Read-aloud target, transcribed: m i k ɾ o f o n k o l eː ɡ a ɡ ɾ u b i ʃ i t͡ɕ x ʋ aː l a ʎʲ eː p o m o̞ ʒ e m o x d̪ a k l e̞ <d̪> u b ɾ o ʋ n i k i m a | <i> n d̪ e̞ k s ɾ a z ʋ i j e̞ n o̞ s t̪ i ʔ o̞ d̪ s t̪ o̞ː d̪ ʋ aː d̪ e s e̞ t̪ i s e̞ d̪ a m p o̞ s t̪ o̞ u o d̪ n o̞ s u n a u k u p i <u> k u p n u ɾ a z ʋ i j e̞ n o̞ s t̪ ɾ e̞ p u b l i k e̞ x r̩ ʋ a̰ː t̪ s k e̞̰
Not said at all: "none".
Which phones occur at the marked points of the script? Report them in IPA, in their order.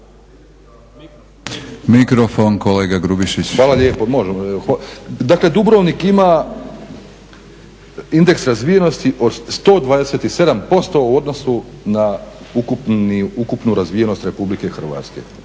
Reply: d̪, i, u

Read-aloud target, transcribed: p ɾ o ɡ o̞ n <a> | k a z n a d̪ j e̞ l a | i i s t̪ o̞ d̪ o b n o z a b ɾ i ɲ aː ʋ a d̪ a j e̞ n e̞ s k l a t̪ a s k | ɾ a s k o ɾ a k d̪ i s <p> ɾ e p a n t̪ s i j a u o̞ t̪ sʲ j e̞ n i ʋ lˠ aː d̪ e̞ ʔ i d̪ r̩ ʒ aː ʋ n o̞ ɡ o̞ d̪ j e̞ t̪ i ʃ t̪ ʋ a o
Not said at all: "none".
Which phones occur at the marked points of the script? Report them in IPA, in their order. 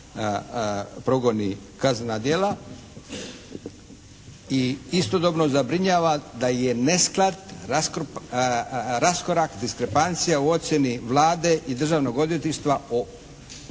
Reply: i, k

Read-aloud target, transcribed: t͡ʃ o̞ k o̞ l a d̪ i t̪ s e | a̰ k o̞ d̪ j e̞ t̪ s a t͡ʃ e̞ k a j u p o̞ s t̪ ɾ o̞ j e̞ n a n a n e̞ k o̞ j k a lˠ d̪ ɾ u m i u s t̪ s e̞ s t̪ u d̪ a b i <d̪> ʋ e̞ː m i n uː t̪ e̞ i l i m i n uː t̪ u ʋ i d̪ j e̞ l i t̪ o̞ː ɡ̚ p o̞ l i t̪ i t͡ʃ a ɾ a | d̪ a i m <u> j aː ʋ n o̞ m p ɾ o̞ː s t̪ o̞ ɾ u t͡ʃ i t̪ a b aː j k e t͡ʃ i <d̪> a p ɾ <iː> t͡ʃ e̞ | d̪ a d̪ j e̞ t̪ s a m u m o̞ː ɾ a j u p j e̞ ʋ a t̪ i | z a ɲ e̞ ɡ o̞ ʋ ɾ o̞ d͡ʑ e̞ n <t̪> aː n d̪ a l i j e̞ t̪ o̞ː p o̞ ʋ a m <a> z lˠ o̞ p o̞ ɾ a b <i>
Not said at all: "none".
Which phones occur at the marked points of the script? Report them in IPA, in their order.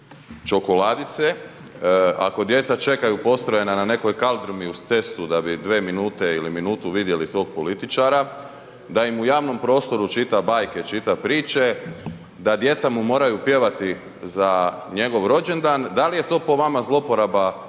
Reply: d̪, u, t̪, iː, d̪, a, a

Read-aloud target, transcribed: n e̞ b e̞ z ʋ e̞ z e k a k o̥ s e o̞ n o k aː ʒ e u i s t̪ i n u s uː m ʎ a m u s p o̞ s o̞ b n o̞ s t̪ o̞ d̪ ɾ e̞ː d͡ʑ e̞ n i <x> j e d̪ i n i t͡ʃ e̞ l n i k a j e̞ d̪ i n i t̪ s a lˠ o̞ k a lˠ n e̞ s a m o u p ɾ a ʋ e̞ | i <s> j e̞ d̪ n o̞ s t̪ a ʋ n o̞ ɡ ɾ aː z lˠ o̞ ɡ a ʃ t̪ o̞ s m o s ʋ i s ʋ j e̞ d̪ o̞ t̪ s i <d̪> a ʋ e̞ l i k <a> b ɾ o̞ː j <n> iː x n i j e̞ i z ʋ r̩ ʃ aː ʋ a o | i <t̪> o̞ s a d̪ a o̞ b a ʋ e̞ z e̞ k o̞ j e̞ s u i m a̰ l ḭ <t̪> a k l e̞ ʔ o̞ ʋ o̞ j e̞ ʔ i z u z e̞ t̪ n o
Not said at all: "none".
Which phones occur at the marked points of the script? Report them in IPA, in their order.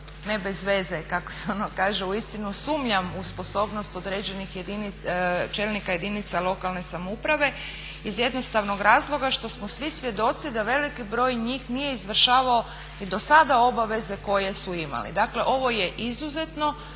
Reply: x, z, d̪, i, ɲ, d̪, d̪

